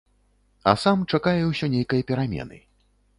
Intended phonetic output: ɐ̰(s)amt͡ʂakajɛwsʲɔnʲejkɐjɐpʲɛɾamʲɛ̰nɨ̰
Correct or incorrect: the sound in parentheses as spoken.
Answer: correct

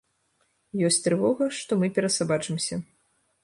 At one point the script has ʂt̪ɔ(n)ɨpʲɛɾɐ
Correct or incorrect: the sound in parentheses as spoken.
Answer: incorrect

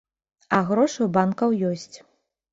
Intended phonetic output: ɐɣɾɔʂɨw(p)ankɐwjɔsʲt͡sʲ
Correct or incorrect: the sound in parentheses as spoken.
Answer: incorrect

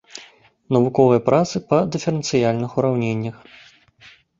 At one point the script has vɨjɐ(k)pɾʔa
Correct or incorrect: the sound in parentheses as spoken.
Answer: incorrect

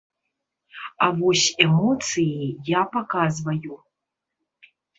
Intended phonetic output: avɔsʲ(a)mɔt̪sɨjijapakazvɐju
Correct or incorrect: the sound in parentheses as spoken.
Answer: incorrect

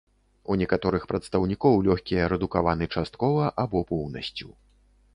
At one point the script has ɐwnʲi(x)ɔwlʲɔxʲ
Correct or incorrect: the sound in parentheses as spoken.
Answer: incorrect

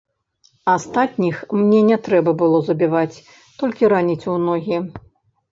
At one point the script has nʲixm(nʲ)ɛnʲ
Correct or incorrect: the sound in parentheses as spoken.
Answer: correct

